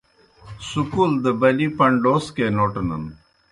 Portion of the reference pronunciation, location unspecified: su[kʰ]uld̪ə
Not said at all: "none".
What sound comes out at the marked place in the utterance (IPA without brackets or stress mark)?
k